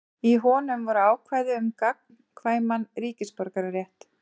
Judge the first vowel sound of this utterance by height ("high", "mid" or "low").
high